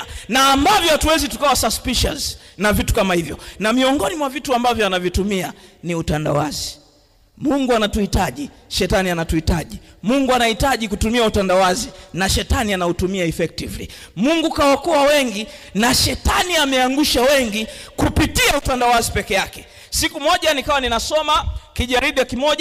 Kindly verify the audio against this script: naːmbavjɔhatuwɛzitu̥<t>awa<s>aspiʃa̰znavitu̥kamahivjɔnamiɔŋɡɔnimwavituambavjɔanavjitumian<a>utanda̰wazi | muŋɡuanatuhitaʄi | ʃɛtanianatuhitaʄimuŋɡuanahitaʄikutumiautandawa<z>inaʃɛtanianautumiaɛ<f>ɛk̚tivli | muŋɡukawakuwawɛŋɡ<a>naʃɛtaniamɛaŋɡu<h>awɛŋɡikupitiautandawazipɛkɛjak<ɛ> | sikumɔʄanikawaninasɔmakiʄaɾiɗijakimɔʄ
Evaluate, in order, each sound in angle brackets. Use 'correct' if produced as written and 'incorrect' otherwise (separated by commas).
incorrect, correct, incorrect, correct, correct, incorrect, incorrect, correct